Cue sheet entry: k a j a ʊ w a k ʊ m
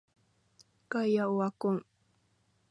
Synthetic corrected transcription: k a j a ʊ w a k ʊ ŋ